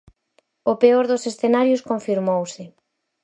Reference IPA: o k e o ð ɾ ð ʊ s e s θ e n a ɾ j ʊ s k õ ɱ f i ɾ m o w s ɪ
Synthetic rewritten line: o p e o ɾ ð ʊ s e s θ e n a ɾ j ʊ s k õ ɱ f i ɾ m o w s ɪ